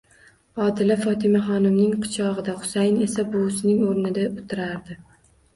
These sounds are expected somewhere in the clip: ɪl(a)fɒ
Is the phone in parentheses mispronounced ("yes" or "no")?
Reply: no